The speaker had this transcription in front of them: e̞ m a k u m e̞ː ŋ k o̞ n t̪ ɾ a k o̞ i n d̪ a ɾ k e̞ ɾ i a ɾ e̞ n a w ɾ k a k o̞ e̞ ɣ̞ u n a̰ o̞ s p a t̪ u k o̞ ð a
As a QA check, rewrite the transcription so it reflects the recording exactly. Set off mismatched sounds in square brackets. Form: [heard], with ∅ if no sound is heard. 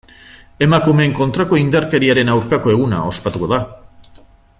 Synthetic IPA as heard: e̞ m a k u m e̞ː ŋ k o̞ n t̪ ɾ a k o̞ i n d̪ a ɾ k e̞ ɾ i a ɾ e̞ n a w ɾ k a k o̞ e̞ ɣ̞ u n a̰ o̞ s p a t̪ u k o̞ ð a